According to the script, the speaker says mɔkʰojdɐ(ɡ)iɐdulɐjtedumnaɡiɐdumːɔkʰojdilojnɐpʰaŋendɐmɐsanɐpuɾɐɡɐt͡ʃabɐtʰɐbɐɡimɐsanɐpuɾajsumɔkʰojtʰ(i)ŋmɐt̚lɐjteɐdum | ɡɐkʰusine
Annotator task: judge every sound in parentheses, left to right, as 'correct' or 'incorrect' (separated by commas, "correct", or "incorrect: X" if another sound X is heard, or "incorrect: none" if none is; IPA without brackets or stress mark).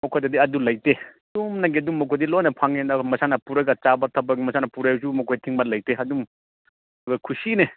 incorrect: d, correct